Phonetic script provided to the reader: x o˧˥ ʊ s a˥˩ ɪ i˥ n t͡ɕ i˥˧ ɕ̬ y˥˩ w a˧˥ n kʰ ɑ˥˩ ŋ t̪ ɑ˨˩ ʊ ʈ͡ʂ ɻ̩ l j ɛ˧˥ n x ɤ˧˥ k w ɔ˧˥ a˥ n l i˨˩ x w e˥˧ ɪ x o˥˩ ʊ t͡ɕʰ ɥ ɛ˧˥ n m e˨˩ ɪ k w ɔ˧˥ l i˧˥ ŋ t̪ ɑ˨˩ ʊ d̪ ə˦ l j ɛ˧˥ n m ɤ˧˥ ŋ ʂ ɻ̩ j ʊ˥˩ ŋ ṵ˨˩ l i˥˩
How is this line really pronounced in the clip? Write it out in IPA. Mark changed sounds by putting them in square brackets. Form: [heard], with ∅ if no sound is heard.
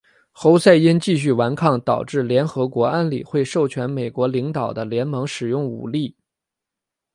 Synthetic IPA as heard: x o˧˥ ʊ s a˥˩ ɪ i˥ n t͡ɕ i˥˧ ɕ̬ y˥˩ w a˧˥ n kʰ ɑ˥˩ ŋ t̪ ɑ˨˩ ʊ ʈ͡ʂ ɻ̩ l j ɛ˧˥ n x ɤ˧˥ k w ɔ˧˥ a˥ n l i˨˩ x w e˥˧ ɪ [ʂ] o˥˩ ʊ t͡ɕʰ ɥ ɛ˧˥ n m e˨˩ ɪ k w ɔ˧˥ l i˧˥ ŋ t̪ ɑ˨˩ ʊ d̪ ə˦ l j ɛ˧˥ n m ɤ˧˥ ŋ ʂ ɻ̩ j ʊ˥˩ ŋ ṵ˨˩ l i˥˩